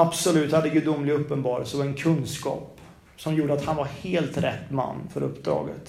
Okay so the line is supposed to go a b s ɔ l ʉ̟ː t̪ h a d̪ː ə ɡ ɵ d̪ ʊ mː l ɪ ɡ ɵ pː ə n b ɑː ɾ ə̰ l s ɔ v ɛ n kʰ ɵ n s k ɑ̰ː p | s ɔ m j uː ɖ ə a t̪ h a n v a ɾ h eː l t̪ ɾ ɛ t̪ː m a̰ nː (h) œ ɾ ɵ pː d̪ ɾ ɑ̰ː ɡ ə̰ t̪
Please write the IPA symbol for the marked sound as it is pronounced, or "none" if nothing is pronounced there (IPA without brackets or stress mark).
f